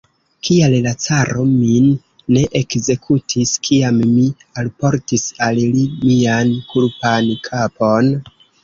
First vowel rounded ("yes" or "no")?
no